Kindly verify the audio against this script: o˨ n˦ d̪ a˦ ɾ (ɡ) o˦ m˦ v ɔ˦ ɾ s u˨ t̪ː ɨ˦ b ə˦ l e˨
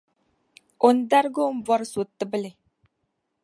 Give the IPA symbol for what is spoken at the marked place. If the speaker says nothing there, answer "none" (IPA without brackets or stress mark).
ɡ